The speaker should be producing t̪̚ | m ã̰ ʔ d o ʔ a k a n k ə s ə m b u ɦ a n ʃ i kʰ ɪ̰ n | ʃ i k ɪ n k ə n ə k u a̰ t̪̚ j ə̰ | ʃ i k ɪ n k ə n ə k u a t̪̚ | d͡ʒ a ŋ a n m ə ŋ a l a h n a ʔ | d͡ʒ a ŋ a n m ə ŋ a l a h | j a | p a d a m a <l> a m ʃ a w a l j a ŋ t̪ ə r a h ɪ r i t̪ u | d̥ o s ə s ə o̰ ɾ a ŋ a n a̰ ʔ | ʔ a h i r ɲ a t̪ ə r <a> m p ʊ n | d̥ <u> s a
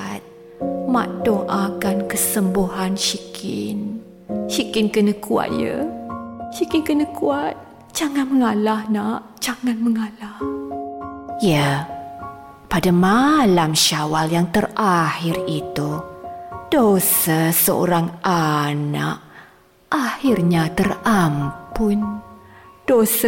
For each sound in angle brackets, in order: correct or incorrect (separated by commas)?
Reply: correct, correct, incorrect